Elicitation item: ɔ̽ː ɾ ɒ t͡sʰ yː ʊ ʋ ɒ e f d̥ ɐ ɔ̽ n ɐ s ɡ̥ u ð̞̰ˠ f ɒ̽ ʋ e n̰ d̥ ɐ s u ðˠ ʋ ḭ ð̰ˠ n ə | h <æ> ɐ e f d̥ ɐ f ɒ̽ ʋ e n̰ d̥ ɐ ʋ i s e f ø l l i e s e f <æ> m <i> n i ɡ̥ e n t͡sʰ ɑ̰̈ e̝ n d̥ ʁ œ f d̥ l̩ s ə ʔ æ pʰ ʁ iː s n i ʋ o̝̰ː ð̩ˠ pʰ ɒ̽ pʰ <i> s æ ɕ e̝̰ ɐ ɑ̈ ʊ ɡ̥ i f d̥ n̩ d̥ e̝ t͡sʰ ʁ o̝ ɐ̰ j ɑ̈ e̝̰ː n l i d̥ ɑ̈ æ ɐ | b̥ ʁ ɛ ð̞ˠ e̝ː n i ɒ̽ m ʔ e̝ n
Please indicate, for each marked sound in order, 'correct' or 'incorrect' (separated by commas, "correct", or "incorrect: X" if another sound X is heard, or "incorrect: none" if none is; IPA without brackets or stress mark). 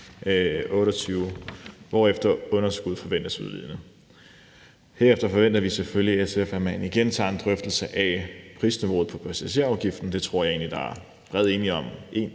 incorrect: e, correct, incorrect: æ, incorrect: æ